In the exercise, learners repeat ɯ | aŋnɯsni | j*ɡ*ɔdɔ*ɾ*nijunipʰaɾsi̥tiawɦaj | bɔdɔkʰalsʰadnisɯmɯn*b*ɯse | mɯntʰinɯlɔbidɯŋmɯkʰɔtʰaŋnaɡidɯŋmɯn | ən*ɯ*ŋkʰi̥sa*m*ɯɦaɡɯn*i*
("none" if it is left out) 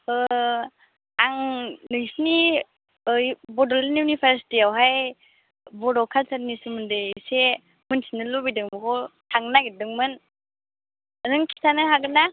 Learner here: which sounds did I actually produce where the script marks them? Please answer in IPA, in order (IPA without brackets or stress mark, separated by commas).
b, l, d, ɯ, n, a